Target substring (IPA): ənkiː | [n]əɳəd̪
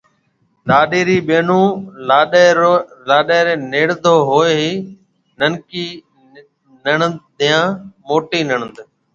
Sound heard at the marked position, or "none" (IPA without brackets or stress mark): n